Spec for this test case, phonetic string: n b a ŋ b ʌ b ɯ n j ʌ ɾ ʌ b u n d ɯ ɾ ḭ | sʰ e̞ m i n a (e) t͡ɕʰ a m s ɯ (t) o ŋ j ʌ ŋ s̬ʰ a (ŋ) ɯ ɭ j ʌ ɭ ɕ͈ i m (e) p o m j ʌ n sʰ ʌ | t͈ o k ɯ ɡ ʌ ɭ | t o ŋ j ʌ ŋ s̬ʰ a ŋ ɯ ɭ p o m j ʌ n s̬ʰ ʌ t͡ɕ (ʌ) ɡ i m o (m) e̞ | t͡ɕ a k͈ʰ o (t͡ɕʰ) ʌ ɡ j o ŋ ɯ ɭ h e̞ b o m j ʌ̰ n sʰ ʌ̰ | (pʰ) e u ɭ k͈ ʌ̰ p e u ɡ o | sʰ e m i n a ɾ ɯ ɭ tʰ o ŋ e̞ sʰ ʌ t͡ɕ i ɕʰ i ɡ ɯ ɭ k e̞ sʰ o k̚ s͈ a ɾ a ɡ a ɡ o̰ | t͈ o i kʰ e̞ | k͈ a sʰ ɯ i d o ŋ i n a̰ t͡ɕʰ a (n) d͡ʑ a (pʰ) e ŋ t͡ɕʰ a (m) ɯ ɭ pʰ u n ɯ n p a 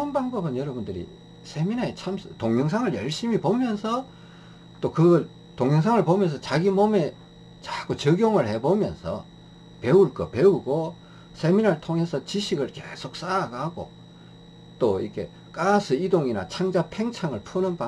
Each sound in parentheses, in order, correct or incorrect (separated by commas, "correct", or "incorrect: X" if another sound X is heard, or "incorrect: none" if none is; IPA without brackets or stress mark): correct, correct, correct, incorrect: i, incorrect: a, correct, incorrect: t͡ɕ, incorrect: p, incorrect: ŋ, correct, incorrect: ŋ